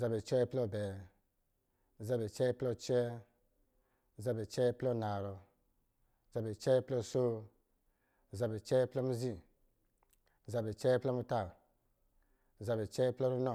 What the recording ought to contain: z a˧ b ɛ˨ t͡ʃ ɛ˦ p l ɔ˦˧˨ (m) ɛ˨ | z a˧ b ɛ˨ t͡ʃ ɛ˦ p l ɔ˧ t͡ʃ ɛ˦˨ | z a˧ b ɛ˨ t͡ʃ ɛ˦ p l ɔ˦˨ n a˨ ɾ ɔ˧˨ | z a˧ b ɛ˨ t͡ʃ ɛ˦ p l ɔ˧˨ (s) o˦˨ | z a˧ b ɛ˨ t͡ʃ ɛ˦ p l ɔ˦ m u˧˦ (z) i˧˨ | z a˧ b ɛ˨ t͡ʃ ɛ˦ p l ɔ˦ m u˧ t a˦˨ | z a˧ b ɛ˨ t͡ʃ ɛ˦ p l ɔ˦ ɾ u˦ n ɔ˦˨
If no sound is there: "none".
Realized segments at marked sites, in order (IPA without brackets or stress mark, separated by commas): b, s, z